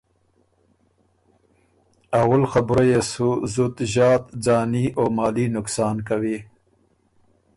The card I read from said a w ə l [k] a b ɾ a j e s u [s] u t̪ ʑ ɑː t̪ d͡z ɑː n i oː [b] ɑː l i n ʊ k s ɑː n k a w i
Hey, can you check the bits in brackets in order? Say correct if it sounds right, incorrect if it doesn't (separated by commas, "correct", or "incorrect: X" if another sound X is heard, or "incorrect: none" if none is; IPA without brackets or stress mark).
incorrect: x, incorrect: z, incorrect: m